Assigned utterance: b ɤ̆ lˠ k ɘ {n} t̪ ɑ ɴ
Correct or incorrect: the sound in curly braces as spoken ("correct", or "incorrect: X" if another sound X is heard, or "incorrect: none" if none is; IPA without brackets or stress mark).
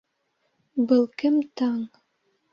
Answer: incorrect: m